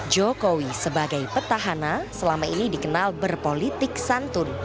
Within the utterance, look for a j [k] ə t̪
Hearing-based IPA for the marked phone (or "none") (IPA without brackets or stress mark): p